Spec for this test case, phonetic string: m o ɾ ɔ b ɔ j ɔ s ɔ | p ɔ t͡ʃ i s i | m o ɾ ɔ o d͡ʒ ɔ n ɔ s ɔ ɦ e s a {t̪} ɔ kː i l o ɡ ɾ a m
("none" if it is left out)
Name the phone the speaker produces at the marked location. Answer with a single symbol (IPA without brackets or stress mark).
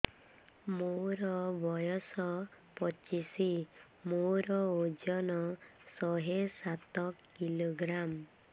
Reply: t̪